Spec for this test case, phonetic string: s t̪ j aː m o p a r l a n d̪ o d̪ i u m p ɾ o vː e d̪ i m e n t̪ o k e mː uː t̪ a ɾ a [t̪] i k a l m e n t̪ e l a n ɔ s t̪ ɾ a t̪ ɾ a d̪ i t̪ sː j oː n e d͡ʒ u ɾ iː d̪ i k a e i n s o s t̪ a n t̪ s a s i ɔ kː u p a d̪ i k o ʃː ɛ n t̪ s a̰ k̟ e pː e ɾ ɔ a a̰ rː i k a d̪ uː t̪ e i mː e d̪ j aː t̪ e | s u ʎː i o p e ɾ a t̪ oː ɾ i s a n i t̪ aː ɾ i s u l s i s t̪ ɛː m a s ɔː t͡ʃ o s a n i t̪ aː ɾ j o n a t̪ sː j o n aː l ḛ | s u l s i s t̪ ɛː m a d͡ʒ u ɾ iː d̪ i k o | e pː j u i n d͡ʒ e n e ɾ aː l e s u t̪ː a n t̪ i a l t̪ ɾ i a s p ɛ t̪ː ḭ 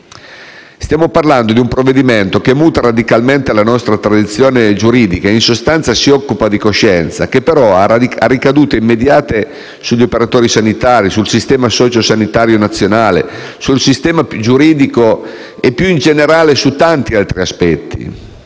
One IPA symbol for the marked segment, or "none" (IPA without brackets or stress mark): d̪